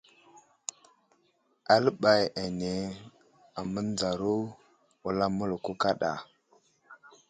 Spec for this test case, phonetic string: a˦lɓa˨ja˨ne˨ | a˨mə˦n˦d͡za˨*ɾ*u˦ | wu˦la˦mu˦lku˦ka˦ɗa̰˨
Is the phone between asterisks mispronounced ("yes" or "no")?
no